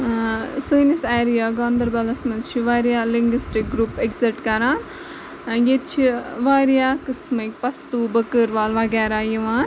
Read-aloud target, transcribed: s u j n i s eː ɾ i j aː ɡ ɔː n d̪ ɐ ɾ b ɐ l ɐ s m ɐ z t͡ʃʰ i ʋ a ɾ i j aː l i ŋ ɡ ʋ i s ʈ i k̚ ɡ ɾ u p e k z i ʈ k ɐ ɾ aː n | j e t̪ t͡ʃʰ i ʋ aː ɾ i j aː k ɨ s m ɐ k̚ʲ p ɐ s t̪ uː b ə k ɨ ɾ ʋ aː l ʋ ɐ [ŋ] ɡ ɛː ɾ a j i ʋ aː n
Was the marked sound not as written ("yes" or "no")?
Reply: yes